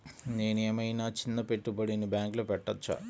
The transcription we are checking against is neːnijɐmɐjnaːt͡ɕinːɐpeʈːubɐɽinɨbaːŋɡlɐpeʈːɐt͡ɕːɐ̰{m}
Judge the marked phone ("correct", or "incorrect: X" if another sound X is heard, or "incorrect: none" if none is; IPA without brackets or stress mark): incorrect: none